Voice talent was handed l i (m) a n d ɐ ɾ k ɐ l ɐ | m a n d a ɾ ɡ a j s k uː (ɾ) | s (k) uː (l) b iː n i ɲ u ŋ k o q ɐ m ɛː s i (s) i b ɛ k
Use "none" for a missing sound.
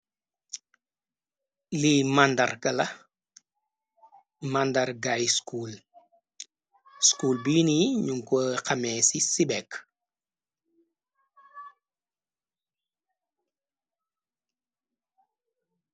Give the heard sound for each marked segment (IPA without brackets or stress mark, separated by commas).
m, l, k, l, s